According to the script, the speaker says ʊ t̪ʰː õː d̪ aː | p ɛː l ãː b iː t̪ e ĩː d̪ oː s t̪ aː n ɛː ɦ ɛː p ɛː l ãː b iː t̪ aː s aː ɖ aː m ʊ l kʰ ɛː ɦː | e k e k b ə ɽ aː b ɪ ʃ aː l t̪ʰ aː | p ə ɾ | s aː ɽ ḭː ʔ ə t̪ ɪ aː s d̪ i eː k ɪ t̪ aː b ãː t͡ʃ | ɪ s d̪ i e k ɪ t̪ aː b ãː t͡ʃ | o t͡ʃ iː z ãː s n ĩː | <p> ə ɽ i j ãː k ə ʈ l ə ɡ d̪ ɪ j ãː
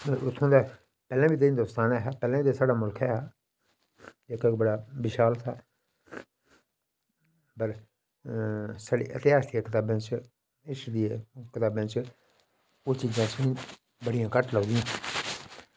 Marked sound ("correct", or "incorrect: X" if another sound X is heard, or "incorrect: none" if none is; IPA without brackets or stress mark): incorrect: b